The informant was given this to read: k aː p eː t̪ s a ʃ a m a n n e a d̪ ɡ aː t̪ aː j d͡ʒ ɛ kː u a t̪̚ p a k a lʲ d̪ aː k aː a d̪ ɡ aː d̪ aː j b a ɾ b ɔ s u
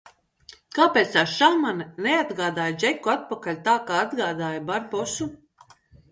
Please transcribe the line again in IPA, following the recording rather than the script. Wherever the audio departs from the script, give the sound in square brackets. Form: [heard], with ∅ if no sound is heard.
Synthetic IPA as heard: k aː p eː t̪ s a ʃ a m a n n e a d̪ ɡ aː [d̪] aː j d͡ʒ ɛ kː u a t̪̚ p a k a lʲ [t̪] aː k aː a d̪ ɡ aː d̪ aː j b a ɾ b ɔ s u